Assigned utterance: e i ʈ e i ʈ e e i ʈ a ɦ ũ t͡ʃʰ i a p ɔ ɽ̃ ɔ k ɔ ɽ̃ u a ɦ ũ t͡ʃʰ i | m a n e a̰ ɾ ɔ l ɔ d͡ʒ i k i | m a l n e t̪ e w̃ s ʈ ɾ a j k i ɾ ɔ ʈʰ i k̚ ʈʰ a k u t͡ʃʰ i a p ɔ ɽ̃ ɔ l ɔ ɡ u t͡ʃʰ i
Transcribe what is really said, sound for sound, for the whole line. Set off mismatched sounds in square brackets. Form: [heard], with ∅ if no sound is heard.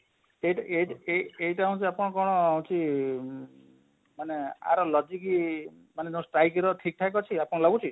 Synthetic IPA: e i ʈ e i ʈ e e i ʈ a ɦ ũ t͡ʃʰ i a p ɔ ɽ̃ ɔ k ɔ ɽ̃ [ɔ] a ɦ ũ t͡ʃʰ i | m a n e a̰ ɾ ɔ l ɔ d͡ʒ i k i | m a [∅] n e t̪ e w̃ s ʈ ɾ a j k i ɾ ɔ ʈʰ i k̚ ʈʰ a k [ɔ] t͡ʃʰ i a p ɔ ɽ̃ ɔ l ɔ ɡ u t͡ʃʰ i